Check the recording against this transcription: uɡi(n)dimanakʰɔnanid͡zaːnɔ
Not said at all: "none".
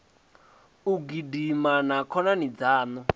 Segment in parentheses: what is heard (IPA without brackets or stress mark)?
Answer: none